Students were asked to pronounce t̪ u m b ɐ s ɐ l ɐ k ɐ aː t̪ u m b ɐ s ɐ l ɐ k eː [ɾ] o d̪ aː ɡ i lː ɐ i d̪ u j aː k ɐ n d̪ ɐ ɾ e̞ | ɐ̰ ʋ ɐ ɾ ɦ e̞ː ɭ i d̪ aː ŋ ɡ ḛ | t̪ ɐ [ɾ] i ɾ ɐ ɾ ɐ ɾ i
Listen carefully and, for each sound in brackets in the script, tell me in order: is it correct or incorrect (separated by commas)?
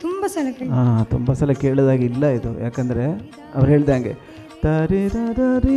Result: incorrect, correct